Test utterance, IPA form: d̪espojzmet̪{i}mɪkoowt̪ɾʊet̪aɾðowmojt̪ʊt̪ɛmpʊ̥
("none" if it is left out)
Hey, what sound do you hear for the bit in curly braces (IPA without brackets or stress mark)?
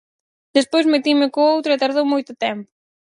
i